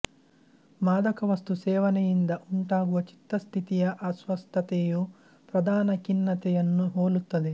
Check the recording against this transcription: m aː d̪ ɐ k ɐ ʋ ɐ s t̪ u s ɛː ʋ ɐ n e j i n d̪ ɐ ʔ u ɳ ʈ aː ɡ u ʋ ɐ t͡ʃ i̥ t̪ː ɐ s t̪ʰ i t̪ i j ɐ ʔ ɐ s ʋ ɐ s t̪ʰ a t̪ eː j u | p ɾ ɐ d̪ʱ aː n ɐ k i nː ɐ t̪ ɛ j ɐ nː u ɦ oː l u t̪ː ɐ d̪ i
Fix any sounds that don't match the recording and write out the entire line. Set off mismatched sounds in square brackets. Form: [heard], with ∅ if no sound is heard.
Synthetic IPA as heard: m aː d̪ ɐ k ɐ ʋ ɐ s t̪ u s ɛː ʋ ɐ n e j i n d̪ ɐ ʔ u ɳ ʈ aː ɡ u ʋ ɐ t͡ʃ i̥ t̪ː ɐ s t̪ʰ i t̪ i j ɐ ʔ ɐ s ʋ ɐ s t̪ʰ [ɐ] t̪ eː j u | p ɾ ɐ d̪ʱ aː n ɐ k i nː ɐ t̪ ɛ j ɐ nː u ɦ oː l u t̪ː ɐ d̪ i